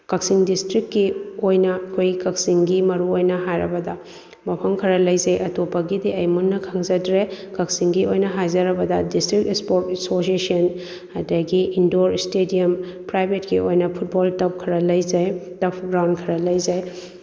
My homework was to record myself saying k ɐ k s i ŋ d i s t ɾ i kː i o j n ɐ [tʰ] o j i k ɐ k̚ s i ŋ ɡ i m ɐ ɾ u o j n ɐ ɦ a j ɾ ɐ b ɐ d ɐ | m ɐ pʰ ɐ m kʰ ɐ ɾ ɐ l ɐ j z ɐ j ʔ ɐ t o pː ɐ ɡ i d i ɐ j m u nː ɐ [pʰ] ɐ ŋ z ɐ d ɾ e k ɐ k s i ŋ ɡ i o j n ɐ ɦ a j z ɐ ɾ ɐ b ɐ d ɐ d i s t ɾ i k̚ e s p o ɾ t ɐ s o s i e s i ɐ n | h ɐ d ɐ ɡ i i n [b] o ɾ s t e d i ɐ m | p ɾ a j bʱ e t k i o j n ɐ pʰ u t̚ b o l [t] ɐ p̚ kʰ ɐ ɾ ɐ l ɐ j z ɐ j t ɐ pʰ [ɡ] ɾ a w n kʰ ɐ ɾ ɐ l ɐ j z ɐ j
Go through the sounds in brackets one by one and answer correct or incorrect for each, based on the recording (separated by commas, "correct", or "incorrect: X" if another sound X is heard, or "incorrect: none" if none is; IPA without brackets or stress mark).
incorrect: kʰ, incorrect: kʰ, incorrect: d, correct, correct